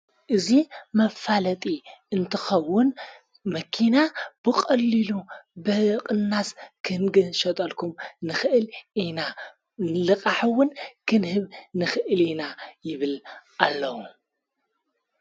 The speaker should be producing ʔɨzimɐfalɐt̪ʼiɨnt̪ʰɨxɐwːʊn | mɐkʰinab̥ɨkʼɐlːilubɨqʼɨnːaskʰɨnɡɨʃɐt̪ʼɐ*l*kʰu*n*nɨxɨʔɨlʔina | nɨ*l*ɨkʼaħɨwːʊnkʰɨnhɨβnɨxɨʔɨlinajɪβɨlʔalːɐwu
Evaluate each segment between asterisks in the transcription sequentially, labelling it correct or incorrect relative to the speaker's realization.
correct, incorrect: m, correct

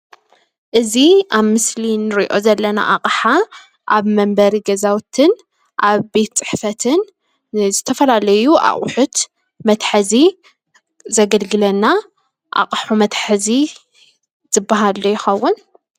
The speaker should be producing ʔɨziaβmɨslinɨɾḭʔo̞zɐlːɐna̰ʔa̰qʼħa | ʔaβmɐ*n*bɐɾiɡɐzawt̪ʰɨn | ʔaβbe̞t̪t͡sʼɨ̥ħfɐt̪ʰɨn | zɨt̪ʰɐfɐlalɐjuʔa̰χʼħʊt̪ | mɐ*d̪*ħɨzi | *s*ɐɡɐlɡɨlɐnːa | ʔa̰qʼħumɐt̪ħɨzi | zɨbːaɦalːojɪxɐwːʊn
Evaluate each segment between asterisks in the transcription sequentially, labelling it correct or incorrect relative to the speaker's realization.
incorrect: m, incorrect: t̪, incorrect: z

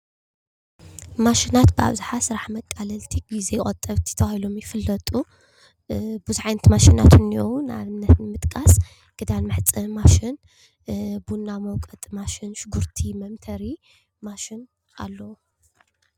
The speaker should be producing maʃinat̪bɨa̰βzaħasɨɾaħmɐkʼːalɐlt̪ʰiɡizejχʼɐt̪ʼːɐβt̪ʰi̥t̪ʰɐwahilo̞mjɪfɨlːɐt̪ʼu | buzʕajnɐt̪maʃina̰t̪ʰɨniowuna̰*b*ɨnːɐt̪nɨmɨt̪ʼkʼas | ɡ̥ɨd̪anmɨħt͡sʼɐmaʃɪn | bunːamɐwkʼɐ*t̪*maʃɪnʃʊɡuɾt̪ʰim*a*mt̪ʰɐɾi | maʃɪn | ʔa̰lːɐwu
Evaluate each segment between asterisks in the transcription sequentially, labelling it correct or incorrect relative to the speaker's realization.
incorrect: β, incorrect: t̪ʼ, incorrect: ɐ

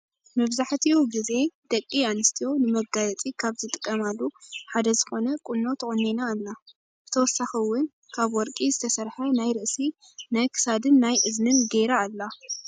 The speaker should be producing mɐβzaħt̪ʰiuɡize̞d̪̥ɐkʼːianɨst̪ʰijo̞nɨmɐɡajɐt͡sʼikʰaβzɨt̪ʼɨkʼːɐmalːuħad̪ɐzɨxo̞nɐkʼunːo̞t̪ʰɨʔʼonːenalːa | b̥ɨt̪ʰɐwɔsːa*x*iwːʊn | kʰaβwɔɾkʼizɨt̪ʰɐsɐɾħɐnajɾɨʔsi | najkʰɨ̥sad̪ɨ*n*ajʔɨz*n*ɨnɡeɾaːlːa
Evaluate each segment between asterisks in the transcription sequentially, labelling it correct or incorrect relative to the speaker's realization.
correct, incorrect: nː, correct

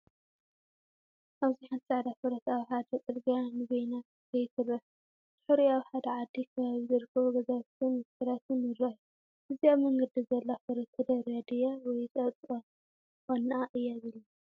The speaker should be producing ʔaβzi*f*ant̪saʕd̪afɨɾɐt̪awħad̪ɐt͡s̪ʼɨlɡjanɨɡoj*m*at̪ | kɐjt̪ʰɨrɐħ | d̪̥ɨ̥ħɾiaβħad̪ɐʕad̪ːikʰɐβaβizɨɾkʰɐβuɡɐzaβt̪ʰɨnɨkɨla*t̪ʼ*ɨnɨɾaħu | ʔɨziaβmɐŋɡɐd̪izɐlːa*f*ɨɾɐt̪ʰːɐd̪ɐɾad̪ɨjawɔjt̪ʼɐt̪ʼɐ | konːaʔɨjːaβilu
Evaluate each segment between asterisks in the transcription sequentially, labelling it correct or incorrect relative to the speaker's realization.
incorrect: ħ, incorrect: n, incorrect: t̪, correct

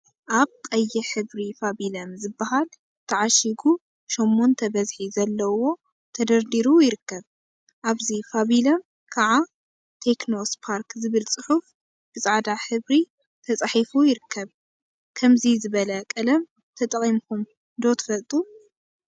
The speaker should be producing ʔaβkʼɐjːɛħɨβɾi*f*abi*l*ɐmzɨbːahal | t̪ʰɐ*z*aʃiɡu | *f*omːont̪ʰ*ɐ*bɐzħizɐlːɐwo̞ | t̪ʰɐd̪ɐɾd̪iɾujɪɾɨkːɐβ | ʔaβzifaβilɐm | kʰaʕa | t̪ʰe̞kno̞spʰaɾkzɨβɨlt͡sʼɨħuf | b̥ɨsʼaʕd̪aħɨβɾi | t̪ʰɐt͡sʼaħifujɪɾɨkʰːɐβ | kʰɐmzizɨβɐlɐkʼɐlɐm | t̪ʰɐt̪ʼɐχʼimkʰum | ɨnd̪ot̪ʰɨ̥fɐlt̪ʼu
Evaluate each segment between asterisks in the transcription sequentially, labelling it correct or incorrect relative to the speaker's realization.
correct, correct, incorrect: ʕ, incorrect: ʃ, correct

